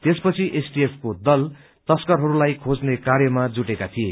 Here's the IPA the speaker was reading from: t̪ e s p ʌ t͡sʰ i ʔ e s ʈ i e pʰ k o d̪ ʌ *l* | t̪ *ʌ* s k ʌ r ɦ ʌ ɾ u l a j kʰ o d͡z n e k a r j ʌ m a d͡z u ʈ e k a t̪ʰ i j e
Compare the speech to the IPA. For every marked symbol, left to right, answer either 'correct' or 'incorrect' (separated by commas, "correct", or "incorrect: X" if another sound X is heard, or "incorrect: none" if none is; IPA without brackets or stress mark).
correct, correct